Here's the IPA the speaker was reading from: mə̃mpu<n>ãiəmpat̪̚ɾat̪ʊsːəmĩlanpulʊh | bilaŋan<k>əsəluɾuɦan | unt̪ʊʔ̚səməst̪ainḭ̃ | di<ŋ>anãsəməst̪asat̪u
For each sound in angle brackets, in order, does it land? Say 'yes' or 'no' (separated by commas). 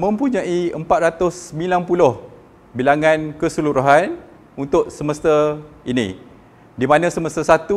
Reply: no, yes, no